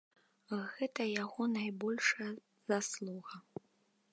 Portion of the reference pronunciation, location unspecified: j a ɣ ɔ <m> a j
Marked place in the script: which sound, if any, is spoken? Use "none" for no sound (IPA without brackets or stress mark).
n